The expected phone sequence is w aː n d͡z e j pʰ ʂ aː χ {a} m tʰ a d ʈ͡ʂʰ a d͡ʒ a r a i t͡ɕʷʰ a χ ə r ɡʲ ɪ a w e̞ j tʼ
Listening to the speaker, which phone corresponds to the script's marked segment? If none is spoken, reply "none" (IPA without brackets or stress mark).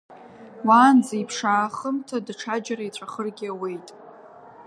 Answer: ə